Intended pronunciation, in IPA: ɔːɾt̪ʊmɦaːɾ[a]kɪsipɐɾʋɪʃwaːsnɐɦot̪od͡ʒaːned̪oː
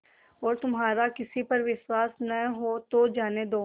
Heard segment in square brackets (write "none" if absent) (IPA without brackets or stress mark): a